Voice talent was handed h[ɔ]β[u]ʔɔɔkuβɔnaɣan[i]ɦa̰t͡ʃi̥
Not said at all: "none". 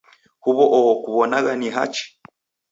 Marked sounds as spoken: u, ɔ, i

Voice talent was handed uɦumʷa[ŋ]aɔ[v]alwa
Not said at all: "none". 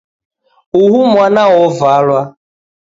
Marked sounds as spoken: n, v

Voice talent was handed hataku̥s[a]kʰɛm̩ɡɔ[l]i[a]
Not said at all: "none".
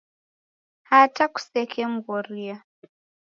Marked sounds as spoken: ɛ, ɾ, a

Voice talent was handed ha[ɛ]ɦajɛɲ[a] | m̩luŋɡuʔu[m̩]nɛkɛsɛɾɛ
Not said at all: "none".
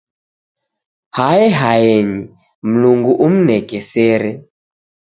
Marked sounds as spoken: ɛ, i, m̩

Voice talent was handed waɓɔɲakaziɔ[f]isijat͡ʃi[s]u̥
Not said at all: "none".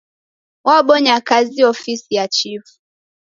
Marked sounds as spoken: f, f

